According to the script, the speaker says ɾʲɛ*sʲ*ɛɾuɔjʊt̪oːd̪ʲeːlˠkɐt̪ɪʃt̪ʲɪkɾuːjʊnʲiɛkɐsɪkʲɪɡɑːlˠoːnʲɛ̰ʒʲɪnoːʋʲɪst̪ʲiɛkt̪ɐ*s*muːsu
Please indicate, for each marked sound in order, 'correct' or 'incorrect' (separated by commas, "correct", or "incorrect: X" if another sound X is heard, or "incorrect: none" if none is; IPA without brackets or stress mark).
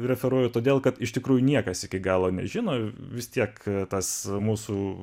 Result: incorrect: fʲ, correct